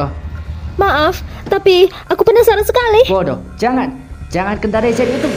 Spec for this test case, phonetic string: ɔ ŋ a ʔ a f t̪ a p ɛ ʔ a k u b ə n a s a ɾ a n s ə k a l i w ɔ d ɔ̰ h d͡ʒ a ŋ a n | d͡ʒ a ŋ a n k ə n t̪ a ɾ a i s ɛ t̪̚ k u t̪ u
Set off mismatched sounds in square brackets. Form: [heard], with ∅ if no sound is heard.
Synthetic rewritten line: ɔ [m] a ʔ a f t̪ a p [i] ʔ a k u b ə n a s a ɾ a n s ə k a l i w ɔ d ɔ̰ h d͡ʒ a ŋ a n | d͡ʒ a ŋ a n k ə n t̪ a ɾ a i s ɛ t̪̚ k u t̪ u